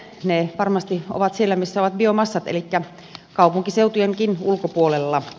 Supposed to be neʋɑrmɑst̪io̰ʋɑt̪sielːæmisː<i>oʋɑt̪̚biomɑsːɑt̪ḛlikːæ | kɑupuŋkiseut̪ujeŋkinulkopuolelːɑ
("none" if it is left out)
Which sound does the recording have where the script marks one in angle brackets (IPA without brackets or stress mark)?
æ